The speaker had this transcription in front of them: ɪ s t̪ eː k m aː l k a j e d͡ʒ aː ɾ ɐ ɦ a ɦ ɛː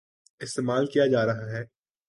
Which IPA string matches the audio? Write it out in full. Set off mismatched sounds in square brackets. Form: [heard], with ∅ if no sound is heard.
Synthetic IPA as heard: ɪ s t̪ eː [∅] m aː l k [i] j [a] d͡ʒ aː ɾ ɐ ɦ a ɦ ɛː